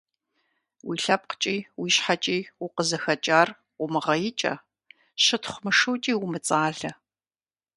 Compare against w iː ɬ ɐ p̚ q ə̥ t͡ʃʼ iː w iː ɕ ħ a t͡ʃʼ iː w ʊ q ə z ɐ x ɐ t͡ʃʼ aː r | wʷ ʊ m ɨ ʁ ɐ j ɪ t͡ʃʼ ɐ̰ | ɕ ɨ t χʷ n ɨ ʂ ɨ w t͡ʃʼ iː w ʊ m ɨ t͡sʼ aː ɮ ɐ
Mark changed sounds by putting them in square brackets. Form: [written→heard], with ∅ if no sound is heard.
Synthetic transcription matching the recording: w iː ɬ ɐ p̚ q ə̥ t͡ʃʼ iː w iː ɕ ħ a t͡ʃʼ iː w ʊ q ə z ɐ x ɐ t͡ʃʼ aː r | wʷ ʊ m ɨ ʁ ɐ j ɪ t͡ʃʼ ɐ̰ | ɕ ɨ t χʷ [n→m] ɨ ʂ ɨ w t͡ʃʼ iː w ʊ m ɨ t͡sʼ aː ɮ ɐ